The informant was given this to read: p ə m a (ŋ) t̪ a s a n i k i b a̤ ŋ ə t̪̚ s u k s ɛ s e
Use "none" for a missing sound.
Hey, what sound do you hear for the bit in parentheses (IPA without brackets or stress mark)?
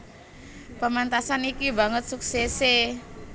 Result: n